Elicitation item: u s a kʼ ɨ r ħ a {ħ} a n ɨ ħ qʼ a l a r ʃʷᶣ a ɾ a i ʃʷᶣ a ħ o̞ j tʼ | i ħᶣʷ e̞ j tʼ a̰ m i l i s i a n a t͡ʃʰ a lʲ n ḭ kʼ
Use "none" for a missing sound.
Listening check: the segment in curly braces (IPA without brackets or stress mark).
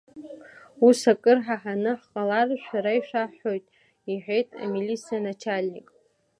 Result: ħ